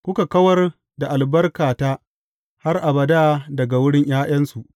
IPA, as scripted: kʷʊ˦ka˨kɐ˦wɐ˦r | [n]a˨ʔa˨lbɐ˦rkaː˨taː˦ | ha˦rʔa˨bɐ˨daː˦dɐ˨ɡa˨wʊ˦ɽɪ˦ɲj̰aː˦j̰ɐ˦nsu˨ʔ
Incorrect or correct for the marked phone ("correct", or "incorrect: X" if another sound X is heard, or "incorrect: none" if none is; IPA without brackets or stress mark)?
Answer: incorrect: d